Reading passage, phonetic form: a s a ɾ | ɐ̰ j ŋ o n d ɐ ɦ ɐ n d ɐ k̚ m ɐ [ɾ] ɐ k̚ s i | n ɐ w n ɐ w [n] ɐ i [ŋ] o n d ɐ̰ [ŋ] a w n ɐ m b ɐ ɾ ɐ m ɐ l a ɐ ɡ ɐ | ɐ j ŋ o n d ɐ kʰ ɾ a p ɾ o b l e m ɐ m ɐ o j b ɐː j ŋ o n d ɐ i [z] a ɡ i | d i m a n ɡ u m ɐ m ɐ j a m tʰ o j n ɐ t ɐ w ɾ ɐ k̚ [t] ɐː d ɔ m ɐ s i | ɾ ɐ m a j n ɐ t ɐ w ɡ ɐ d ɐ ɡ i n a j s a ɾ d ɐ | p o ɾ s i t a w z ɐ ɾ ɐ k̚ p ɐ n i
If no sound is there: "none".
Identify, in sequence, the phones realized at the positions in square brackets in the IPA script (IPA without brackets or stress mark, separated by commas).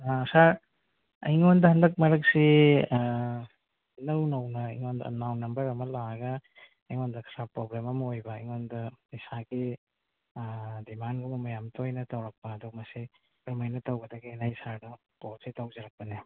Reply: ɾ, n, ŋ, n, s, p